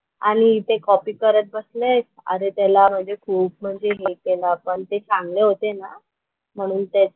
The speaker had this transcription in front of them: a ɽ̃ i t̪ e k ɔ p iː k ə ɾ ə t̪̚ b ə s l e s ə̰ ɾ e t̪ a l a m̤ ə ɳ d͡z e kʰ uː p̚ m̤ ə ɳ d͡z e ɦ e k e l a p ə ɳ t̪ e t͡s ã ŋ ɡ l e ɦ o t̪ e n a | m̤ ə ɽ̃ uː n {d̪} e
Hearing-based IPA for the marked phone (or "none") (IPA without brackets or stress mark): t̪